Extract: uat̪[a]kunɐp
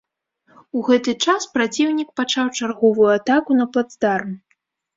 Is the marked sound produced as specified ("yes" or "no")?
yes